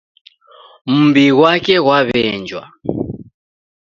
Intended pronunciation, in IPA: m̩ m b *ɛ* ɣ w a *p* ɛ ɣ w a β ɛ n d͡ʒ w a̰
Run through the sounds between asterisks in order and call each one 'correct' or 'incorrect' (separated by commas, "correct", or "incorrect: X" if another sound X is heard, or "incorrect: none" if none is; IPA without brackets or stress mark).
incorrect: i, incorrect: k